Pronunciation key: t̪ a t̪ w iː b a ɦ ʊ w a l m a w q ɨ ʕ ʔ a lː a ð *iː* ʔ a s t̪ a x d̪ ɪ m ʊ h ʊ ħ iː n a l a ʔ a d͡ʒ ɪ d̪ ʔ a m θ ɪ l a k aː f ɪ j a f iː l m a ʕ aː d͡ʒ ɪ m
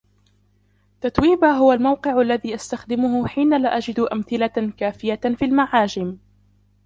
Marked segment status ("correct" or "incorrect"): correct